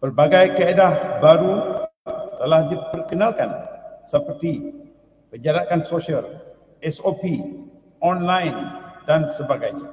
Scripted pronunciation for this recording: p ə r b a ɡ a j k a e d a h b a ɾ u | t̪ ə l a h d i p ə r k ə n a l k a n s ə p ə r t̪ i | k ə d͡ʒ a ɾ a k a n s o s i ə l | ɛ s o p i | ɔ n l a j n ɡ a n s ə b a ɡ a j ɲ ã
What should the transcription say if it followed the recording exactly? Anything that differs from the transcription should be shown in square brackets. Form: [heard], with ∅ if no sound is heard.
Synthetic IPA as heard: p ə r b a ɡ a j k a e d a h b a ɾ u | t̪ ə l a h d i p ə r k ə n a l k a n s ə p ə r t̪ i | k ə d͡ʒ a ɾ a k a n s o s i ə l | ɛ s o p i | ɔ n l a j n [d] a n s ə b a ɡ a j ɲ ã